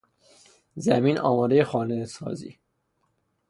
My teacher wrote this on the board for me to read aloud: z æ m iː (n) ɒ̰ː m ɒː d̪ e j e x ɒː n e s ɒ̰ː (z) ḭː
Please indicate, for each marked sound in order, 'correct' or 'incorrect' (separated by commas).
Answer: correct, correct